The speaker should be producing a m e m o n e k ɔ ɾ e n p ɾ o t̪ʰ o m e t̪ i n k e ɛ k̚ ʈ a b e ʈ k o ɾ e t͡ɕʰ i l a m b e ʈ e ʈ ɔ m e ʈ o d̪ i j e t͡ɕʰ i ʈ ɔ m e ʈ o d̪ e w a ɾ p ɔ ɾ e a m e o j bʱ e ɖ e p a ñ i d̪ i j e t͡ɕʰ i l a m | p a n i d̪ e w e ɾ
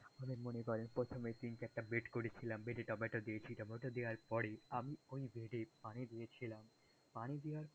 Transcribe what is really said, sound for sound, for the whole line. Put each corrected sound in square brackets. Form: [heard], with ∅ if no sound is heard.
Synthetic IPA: a m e m o n e k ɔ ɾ e n p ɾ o t̪ʰ o m e t̪ i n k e ɛ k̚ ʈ a b e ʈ k o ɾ e t͡ɕʰ i l a m b e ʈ e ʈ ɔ m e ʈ o d̪ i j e t͡ɕʰ i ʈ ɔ m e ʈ o d̪ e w a ɾ p ɔ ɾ e a m [i] o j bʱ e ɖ e p a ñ i d̪ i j e t͡ɕʰ i l a m | p a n i d̪ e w [a] ɾ